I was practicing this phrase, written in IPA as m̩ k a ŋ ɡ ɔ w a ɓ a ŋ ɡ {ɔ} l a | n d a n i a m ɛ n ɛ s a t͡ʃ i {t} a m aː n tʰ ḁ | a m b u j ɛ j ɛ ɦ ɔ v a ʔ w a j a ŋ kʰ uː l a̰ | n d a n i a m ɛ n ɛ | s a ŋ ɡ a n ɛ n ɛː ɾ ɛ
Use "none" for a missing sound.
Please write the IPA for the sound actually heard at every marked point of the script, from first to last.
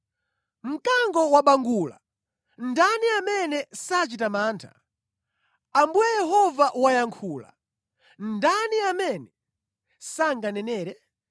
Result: u, t

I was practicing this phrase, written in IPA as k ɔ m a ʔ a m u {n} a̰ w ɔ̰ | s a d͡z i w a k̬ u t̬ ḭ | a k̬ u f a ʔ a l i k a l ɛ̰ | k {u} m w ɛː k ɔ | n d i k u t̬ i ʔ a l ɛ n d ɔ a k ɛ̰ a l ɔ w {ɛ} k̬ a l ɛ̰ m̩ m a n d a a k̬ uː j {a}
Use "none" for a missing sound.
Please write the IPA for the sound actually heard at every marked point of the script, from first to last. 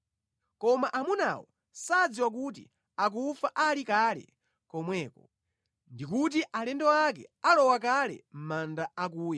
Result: n, ɔ, a, a

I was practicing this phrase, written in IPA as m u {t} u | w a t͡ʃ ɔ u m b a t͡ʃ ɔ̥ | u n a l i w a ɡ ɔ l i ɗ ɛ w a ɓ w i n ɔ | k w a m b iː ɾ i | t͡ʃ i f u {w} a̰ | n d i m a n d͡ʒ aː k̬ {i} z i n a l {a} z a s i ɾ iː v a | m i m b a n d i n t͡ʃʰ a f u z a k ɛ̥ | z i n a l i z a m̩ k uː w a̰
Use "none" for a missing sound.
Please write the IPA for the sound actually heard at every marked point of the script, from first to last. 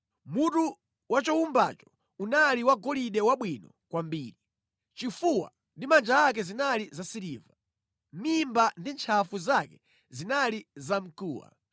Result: t, w, ɛ, i

